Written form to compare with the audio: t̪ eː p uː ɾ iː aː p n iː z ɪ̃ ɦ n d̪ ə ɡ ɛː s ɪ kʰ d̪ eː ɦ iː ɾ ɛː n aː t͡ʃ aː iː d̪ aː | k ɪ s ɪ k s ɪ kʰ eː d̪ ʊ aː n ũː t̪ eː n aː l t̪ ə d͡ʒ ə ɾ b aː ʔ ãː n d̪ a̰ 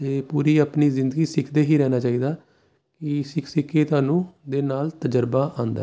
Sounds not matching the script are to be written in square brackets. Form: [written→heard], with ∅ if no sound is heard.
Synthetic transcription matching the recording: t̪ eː p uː ɾ iː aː p n iː z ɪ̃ [ɦ→∅] n d̪ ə ɡ [ɛː→iː] s ɪ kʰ d̪ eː ɦ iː ɾ ɛː n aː t͡ʃ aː iː d̪ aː | k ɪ s ɪ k s ɪ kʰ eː [d̪→t̪] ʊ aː n ũː [t̪→d̪] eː n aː l t̪ ə d͡ʒ ə ɾ b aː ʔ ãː n d̪ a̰